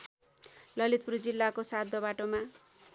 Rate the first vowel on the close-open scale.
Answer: mid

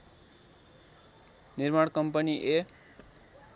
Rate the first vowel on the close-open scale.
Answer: close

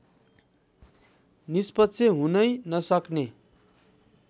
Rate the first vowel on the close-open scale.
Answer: close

